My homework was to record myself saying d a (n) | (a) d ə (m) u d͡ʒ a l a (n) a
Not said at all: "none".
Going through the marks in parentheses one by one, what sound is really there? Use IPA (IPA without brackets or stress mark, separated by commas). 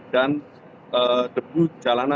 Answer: n, ə, b, n